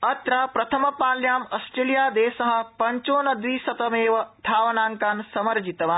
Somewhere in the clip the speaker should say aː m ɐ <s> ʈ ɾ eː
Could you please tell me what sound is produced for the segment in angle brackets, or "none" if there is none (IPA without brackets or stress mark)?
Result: s